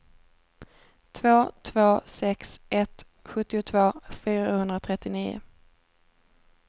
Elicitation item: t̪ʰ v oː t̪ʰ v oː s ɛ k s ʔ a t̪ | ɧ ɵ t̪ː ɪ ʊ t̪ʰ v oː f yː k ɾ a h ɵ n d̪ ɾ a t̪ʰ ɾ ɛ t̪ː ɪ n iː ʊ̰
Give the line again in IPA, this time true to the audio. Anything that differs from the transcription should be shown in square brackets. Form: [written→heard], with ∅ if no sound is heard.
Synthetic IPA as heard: t̪ʰ v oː t̪ʰ v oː s ɛ k s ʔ [a→ɛ] t̪ | ɧ ɵ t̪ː ɪ ʊ t̪ʰ v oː f yː [k→∅] ɾ a h ɵ n d̪ ɾ a t̪ʰ ɾ ɛ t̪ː ɪ n iː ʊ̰

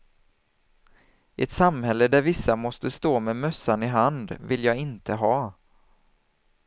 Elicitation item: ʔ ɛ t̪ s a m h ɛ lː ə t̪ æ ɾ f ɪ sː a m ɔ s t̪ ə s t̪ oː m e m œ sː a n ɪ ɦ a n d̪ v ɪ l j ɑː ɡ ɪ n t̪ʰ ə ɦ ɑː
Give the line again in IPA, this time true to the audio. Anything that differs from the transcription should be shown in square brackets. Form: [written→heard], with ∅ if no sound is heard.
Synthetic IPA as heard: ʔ ɛ t̪ s a m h ɛ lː ə [t̪→d̪] æ ɾ [f→v] ɪ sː a m ɔ s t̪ ə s t̪ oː m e m œ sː a n ɪ ɦ a n d̪ v ɪ l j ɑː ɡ ɪ n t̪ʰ ə ɦ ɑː

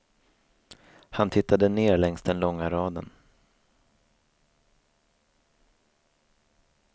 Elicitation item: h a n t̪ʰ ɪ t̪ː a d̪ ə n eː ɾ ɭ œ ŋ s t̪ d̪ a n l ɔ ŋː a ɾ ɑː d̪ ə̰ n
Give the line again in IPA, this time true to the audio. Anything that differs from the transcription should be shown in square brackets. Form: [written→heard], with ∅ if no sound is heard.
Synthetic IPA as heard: h a n t̪ʰ ɪ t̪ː a d̪ ə n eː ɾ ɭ [œ→ɛ] ŋ s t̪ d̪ [a→ɛ] n l ɔ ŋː a ɾ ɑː d̪ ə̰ n

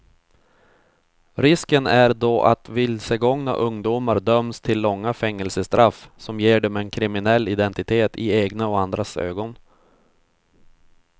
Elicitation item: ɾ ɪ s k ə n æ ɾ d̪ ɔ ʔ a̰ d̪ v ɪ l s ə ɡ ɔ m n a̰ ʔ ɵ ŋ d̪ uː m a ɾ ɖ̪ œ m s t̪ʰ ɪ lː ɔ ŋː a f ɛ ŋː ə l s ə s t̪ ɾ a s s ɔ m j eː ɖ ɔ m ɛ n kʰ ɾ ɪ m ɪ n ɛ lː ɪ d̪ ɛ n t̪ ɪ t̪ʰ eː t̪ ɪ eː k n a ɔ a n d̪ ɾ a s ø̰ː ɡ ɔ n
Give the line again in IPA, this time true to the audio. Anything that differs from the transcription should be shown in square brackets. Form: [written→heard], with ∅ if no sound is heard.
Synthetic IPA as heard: ɾ ɪ s k ə n æ ɾ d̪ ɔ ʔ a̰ [d̪→t̪] v ɪ l s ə ɡ ɔ [m→ŋ] n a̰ ʔ ɵ ŋ d̪ uː m a ɾ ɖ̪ œ m s t̪ʰ ɪ lː ɔ ŋː a f ɛ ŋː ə l s ə s t̪ ɾ a [s→f] s ɔ m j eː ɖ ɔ m ɛ n kʰ ɾ ɪ m ɪ n ɛ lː ɪ d̪ ɛ n t̪ ɪ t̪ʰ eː t̪ ɪ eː [k→ɡ] n a ɔ a n d̪ ɾ a s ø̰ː ɡ ɔ n

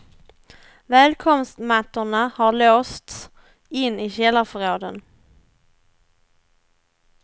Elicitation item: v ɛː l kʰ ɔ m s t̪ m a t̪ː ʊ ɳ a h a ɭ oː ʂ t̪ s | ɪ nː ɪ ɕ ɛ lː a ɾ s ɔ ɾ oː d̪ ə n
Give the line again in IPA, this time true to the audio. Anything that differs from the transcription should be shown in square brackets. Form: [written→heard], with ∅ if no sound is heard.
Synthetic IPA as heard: v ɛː l kʰ ɔ m s t̪ m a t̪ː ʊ ɳ a h a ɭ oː [ʂ→s] t̪ s | ɪ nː ɪ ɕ ɛ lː a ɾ [s→f] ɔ ɾ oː d̪ ə n

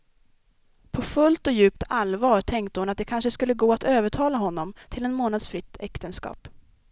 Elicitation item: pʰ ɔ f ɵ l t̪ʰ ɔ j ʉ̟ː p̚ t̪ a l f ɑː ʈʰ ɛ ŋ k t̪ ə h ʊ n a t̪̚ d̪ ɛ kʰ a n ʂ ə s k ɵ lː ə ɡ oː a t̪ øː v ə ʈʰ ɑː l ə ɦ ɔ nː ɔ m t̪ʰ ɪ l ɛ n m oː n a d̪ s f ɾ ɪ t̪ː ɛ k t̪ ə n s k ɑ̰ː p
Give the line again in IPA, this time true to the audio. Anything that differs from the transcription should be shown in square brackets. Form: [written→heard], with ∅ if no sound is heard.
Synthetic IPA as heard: pʰ ɔ f ɵ l [t̪ʰ→t̪] ɔ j ʉ̟ː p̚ t̪ a l [f→v] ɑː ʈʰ ɛ ŋ k t̪ ə h ʊ n a t̪̚ d̪ ɛ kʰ a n ʂ ə s k ɵ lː ə ɡ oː a t̪ øː v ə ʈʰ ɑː l [ə→a] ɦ ɔ nː ɔ m t̪ʰ ɪ l ɛ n m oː n a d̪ s f ɾ ɪ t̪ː ɛ k t̪ ə n s k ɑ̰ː p

